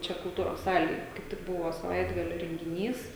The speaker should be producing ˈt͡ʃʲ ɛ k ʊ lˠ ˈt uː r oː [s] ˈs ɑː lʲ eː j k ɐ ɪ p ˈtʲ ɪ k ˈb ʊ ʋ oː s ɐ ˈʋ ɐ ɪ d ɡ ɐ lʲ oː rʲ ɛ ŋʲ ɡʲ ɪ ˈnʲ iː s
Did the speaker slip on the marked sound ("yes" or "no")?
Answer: no